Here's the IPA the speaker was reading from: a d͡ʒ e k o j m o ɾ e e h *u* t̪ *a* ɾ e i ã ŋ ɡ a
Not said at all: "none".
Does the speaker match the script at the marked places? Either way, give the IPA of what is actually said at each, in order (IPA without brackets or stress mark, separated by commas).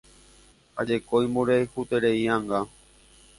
u, e